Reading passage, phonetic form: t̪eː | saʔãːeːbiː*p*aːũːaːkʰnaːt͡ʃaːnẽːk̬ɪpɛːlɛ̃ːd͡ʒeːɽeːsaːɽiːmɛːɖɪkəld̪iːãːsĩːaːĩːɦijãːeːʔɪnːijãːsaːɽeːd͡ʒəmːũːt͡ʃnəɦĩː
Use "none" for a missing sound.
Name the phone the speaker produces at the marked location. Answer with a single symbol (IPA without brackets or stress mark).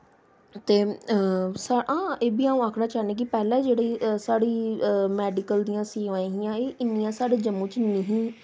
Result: none